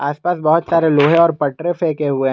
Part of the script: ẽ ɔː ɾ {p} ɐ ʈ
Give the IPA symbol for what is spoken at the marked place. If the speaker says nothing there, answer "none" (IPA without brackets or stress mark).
p